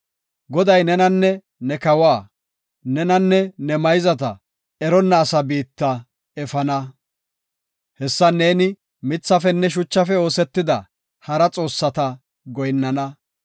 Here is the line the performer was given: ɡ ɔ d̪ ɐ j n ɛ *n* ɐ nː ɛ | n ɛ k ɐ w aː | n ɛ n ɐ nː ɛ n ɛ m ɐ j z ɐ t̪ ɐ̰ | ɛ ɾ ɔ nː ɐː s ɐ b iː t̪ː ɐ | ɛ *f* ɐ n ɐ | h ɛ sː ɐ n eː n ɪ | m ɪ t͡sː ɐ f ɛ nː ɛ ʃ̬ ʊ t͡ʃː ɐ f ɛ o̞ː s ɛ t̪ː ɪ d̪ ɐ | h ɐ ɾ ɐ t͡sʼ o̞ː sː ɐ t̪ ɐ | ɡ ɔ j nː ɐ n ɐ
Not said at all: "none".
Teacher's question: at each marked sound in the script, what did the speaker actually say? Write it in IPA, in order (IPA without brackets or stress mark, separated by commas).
n, f